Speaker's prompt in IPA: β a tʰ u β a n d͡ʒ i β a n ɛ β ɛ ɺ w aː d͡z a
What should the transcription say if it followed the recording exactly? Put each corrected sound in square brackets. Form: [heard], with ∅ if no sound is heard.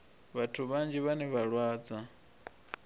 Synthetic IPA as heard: β a tʰ u β a n d͡ʒ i β a n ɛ β [a] ɺ w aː d͡z a